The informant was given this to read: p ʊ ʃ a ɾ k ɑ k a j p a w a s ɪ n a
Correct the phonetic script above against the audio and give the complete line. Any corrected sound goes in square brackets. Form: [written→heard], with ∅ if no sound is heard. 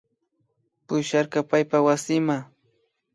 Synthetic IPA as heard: p ʊ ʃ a ɾ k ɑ [k→p] a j p a w a s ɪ [n→m] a